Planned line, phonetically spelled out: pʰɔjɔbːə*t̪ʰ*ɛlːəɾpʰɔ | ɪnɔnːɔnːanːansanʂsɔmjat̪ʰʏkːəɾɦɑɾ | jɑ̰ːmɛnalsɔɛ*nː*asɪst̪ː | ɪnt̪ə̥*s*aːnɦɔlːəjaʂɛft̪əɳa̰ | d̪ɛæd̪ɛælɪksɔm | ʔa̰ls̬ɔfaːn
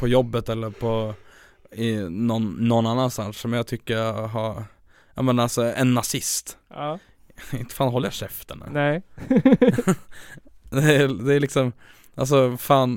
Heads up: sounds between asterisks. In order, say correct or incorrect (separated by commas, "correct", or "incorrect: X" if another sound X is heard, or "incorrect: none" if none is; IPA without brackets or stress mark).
incorrect: t̪, correct, incorrect: f